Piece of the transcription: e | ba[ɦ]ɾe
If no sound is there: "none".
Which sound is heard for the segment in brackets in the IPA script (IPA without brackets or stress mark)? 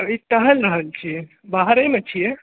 ɦ